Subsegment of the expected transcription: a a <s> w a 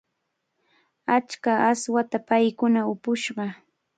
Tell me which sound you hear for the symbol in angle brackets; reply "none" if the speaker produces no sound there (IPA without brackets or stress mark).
s